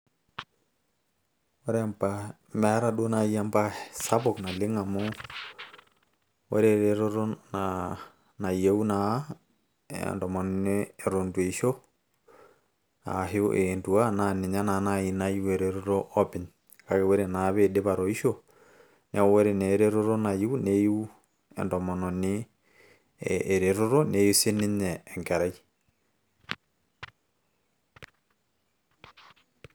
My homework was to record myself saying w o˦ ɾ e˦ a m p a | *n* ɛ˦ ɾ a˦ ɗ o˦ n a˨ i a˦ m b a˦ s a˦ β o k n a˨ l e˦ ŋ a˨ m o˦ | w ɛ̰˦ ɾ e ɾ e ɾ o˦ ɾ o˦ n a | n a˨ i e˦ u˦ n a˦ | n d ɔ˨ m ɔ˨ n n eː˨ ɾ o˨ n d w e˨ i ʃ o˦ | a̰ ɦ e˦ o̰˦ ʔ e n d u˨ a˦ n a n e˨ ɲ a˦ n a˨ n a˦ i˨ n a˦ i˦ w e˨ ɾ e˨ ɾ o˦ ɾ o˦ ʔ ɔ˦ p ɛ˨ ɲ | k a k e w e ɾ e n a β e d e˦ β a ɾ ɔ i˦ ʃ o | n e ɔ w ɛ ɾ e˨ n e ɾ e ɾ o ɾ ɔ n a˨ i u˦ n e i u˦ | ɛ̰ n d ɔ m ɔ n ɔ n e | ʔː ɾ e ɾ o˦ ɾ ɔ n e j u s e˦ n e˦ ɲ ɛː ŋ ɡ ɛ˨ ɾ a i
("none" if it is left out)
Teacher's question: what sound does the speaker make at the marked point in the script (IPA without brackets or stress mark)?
m